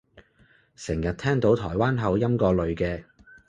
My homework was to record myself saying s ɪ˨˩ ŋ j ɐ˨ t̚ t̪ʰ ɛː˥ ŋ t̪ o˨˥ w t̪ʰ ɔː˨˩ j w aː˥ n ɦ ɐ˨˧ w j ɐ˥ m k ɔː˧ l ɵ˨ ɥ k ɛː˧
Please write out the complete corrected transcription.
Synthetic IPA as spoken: s ɪ˨˩ ŋ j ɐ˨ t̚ t̪ʰ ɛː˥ ŋ t̪ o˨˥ w t̪ʰ ɔː˨˩ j w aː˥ n ɦ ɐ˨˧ w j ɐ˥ m k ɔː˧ l ɵ˨ ɥ k ɛː˧